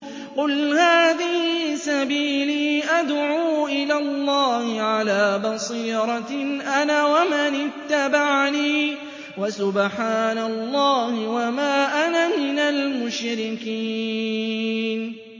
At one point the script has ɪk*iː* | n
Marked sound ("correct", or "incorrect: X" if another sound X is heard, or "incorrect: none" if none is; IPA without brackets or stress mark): correct